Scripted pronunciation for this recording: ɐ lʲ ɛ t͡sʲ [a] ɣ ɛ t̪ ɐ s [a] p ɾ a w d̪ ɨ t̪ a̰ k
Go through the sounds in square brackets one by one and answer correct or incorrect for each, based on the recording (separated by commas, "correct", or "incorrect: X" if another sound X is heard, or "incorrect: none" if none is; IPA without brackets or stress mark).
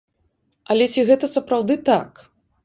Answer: incorrect: i, incorrect: ɐ